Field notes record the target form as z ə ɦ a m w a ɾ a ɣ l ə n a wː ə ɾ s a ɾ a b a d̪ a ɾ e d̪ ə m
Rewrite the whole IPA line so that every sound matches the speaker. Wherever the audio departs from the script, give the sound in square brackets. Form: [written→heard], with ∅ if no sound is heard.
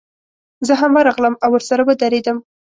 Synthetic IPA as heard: z ə ɦ a m w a ɾ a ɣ l ə [n→m] a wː ə ɾ s a ɾ a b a d̪ a ɾ e d̪ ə m